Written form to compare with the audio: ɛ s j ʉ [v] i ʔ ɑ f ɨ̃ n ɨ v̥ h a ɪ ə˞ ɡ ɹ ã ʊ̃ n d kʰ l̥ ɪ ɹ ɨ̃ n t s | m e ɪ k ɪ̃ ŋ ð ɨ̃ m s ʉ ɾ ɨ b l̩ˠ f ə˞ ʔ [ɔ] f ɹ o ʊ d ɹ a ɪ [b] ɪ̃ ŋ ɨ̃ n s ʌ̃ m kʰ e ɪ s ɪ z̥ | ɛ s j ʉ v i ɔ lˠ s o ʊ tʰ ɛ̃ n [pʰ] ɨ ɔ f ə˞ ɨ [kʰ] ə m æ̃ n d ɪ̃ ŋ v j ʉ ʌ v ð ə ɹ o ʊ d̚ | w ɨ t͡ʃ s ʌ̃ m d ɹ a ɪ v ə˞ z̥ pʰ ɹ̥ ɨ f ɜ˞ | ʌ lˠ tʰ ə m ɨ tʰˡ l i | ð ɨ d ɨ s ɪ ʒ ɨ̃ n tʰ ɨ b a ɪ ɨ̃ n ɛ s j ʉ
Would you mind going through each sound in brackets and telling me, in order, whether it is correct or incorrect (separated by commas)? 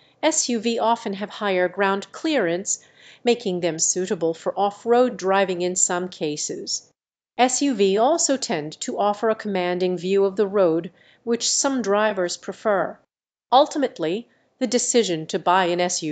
correct, correct, incorrect, incorrect, correct